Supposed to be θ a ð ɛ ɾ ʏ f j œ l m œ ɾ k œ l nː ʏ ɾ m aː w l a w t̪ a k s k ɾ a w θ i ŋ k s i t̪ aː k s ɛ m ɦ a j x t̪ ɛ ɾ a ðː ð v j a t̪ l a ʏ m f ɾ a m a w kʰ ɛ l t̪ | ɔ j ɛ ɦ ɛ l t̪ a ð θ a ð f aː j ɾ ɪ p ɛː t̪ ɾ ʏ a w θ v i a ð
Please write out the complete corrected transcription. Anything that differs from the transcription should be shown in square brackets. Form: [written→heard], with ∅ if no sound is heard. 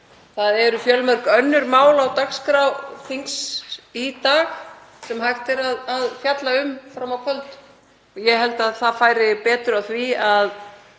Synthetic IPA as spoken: θ a ð ɛ ɾ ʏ f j œ l m œ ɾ k œ [l→∅] nː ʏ ɾ m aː w l a w t̪ a k s k ɾ a w θ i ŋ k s i t̪ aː [k→x] s ɛ m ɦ a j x t̪ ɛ ɾ a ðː ð [v→f] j a t̪ l a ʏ m f ɾ a m a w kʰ [ɛ→œ] l t̪ | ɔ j ɛ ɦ ɛ l t̪ a ð θ a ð f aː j ɾ ɪ p ɛː t̪ ɾ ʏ a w θ v i a ð

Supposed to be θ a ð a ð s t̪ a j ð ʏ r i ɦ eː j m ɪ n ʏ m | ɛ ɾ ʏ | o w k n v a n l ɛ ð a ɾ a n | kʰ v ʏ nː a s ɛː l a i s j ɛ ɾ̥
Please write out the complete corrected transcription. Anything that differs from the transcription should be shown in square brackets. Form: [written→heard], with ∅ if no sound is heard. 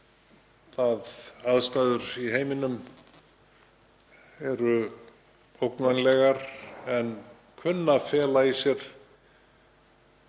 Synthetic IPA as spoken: θ a ð a ð s t̪ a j ð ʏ [r→ɾ] i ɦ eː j m ɪ n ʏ m | ɛ ɾ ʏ | o w k n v a n l ɛ [ð→ɣ] a ɾ [a→ɛ] n | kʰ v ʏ nː a [s→f] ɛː l a i s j ɛ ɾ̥

